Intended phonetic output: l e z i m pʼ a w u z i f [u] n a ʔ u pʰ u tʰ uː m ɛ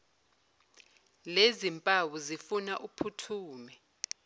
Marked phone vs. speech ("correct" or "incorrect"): correct